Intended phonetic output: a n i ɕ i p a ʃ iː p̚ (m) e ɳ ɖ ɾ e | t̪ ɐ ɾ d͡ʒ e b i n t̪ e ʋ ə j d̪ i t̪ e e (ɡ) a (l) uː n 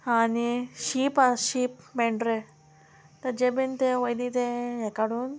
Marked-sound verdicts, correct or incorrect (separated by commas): correct, incorrect, incorrect